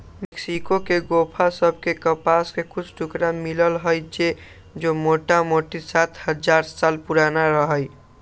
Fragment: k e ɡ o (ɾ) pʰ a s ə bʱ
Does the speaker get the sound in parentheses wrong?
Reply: yes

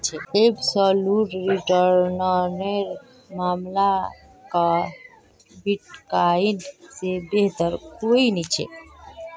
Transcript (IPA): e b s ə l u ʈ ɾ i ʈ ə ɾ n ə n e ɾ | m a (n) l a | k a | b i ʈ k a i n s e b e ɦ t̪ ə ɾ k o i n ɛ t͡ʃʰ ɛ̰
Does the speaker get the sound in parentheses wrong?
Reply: yes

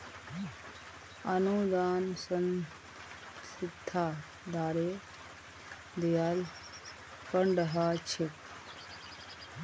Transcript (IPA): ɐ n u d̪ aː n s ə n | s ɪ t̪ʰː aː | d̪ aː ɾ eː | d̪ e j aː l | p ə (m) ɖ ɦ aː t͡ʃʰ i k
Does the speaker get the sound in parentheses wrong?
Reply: yes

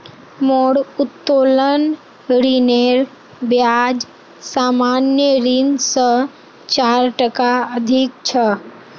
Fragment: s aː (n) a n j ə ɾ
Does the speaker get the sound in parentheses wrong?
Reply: yes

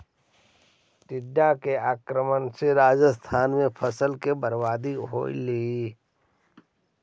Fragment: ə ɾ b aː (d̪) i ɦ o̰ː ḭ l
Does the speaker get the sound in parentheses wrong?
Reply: no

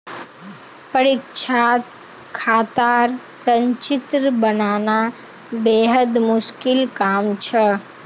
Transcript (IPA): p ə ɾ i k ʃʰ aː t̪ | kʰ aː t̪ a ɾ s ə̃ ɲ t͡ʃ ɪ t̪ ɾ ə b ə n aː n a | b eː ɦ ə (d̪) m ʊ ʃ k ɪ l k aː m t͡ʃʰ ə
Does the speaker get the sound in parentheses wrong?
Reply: no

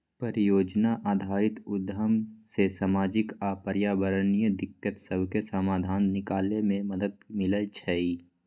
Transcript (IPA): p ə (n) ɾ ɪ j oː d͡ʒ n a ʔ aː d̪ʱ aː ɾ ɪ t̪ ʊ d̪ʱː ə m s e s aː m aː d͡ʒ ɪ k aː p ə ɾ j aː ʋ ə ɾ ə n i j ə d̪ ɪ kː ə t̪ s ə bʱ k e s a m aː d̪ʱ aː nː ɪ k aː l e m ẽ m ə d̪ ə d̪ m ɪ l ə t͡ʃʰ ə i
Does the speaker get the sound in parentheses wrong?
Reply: yes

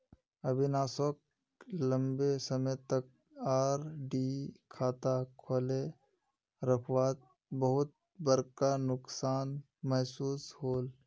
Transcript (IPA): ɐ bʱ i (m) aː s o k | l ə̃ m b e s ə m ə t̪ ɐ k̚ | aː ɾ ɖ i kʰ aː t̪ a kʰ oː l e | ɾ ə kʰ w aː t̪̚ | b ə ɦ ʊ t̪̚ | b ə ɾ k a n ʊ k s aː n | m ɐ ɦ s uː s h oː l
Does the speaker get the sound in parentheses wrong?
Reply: yes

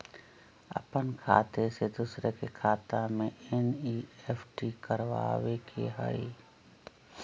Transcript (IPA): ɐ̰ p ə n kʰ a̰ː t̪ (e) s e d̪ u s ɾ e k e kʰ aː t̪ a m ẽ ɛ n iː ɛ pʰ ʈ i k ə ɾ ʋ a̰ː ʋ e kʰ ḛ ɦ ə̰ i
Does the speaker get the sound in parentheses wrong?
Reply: no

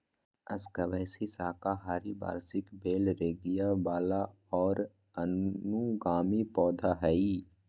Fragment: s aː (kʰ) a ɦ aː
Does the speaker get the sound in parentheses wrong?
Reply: yes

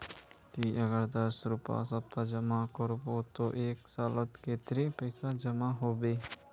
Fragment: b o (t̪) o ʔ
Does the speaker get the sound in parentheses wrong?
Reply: no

